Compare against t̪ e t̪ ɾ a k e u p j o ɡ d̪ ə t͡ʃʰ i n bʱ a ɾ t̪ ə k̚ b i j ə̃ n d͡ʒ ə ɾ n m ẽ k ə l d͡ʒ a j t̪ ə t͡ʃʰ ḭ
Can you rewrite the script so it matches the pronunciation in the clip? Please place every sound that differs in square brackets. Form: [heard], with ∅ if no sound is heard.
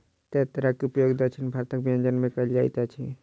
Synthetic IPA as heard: t̪ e t̪ ɾ a k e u p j o ɡ d̪ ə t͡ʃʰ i n bʱ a ɾ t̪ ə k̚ b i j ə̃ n d͡ʒ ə [∅] n m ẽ k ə l d͡ʒ a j t̪ [a] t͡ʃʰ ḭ